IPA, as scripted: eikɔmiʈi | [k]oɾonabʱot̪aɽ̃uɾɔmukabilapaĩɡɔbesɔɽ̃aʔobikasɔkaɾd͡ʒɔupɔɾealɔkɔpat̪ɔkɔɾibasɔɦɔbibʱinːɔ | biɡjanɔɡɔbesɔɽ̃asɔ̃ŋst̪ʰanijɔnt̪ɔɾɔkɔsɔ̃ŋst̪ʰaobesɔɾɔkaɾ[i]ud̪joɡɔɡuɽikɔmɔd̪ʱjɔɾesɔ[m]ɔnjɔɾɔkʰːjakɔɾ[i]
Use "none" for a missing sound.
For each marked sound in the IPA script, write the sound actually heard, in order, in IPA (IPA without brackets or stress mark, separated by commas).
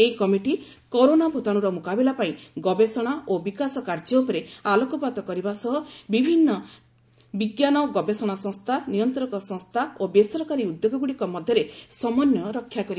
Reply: k, i, m, i